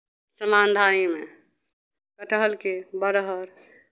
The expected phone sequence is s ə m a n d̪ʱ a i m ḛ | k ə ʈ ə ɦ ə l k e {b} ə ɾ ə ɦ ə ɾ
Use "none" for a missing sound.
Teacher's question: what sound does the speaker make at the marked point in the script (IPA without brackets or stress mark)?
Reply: b